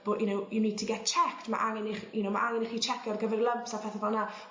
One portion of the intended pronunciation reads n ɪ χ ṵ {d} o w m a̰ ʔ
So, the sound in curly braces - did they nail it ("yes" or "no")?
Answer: no